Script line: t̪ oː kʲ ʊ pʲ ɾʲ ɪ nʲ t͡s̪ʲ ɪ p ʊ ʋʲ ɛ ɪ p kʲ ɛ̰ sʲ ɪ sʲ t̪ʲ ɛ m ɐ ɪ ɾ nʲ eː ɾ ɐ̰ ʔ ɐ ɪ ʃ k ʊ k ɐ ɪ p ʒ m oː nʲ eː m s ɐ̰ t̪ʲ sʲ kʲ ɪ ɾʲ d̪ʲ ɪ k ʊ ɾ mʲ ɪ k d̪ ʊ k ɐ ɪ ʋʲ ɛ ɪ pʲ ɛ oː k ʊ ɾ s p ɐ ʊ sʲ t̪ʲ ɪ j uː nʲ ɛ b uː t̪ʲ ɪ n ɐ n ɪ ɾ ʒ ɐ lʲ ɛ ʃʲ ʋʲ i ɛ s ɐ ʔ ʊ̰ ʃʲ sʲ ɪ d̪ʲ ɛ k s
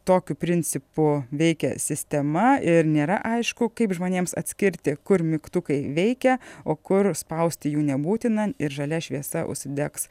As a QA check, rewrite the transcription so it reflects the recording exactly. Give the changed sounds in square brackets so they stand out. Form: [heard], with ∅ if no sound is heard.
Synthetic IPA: t̪ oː kʲ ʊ pʲ ɾʲ ɪ nʲ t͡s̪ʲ ɪ p ʊ ʋʲ ɛ ɪ [∅] kʲ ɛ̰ sʲ ɪ sʲ t̪ʲ ɛ m ɐ ɪ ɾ nʲ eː ɾ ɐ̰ ʔ ɐ ɪ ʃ k ʊ k ɐ ɪ p ʒ m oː nʲ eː m s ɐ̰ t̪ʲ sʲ kʲ ɪ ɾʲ [t̪ʲ] ɪ k ʊ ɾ mʲ ɪ k [t̪] ʊ k ɐ ɪ ʋʲ ɛ ɪ [kʲ] ɛ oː k ʊ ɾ s p ɐ ʊ sʲ t̪ʲ ɪ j uː nʲ ɛ b uː t̪ʲ ɪ n ɐ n ɪ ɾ ʒ ɐ lʲ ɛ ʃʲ ʋʲ i ɛ s ɐ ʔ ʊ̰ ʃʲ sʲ ɪ d̪ʲ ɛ k s

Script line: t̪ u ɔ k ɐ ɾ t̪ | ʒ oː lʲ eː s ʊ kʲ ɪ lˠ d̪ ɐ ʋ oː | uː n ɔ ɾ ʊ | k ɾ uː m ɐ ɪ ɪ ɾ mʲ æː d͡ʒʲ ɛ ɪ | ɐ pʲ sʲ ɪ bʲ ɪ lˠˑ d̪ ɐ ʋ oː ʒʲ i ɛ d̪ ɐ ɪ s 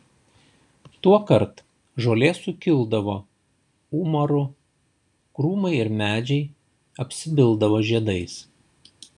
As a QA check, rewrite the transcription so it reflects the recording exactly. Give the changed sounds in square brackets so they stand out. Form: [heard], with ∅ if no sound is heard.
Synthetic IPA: t̪ u ɔ k ɐ ɾ t̪ | ʒ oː lʲ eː s ʊ kʲ ɪ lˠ d̪ ɐ ʋ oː | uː [m] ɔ ɾ ʊ | k ɾ uː m ɐ ɪ ɪ ɾ mʲ æː d͡ʒʲ ɛ ɪ | ɐ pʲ sʲ ɪ bʲ ɪ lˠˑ d̪ ɐ ʋ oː ʒʲ i ɛ d̪ ɐ ɪ s

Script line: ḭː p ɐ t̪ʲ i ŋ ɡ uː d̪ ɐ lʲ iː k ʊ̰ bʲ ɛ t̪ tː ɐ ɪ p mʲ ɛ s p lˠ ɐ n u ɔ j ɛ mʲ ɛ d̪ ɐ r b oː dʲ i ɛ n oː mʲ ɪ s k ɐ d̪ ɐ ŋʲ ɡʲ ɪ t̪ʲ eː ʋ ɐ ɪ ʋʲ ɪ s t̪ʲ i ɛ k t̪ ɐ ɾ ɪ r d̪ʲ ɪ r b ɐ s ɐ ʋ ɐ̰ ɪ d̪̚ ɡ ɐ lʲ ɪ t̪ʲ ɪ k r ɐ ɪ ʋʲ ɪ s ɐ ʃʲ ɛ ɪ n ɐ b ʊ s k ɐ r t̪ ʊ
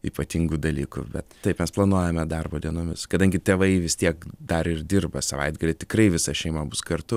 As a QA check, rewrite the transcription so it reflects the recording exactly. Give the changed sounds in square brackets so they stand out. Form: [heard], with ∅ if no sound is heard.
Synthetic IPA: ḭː p ɐ t̪ʲ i ŋ ɡ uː d̪ ɐ lʲ iː k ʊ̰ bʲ ɛ t̪ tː ɐ ɪ p mʲ ɛ s p lˠ ɐ n u ɔ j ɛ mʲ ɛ d̪ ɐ r b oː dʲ i ɛ n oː mʲ ɪ s k ɐ d̪ ɐ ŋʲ ɡʲ ɪ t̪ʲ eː ʋ ɐ ɪ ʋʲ ɪ s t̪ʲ i ɛ k [d̪] ɐ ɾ ɪ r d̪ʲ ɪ r b ɐ s ɐ ʋ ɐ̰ ɪ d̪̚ ɡ ɐ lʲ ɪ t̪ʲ ɪ k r ɐ ɪ ʋʲ ɪ s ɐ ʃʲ ɛ ɪ [m] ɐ b ʊ s k ɐ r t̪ ʊ

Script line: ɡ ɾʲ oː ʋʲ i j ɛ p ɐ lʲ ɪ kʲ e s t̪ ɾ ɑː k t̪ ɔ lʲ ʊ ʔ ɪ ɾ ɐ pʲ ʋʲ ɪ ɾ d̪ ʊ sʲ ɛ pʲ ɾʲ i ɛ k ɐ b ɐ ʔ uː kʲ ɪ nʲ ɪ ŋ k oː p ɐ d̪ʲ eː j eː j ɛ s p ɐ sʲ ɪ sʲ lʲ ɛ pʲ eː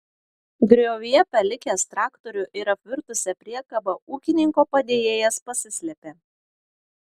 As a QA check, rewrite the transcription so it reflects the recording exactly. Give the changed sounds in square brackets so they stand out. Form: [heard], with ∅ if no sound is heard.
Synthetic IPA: ɡ ɾʲ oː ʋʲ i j ɛ p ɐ lʲ ɪ kʲ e s t̪ ɾ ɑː k t̪ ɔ [ɾʲ] ʊ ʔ ɪ ɾ ɐ pʲ ʋʲ ɪ ɾ [t̪] ʊ sʲ ɛ pʲ ɾʲ i ɛ k ɐ b ɐ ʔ uː kʲ ɪ nʲ ɪ ŋ k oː p ɐ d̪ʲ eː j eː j ɛ s p ɐ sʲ ɪ sʲ lʲ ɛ pʲ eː

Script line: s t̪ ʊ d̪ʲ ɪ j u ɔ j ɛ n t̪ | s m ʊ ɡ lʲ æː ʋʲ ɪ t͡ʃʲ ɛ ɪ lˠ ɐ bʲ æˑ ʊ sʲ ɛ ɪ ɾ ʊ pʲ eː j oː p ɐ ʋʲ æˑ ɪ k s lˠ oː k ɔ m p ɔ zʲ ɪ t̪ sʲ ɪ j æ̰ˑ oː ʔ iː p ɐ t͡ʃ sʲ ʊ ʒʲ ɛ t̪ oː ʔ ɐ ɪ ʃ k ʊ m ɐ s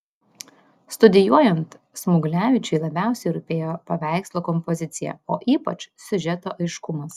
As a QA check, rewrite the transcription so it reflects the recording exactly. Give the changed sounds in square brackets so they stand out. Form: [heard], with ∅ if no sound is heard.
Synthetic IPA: s t̪ ʊ d̪ʲ ɪ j u ɔ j ɛ n t̪ | s m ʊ ɡ lʲ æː ʋʲ ɪ t͡ʃʲ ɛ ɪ lˠ ɐ bʲ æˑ ʊ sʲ ɛ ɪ ɾ ʊ pʲ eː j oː p ɐ ʋʲ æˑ ɪ k s lˠ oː k ɔ m p ɔ zʲ ɪ t̪ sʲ ɪ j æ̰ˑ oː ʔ iː p ɐ t͡ʃ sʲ ʊ ʒʲ ɛ t̪ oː ʔ ɐ ɪ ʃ k ʊ m ɐ s

